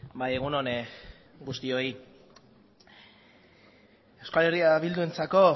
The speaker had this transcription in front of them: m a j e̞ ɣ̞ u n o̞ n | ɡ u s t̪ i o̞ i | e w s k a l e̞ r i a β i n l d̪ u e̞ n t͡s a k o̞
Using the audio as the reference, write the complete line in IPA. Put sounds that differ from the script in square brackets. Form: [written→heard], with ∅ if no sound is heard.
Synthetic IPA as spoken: [m→b] a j e̞ ɣ̞ u n o̞ n | ɡ u s t̪ i o̞ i | e w s k a l e̞ r i a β i [n→∅] l d̪ u e̞ n t͡s a k o̞